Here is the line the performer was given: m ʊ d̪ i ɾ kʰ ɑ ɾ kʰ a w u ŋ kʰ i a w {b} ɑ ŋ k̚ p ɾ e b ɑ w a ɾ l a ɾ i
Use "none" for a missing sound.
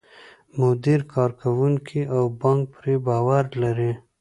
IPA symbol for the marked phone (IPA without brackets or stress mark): b